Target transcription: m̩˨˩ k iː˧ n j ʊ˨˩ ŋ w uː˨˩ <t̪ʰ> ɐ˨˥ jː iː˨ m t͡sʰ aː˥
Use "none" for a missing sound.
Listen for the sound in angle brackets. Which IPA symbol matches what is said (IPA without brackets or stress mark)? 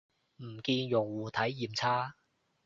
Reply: t̪ʰ